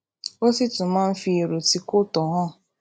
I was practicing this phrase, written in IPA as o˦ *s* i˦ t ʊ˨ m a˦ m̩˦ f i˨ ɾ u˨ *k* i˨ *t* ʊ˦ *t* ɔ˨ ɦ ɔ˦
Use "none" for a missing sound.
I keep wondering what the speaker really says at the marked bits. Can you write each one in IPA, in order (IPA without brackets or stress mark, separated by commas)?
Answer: s, t, k, t